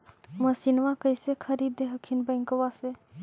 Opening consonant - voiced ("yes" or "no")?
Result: yes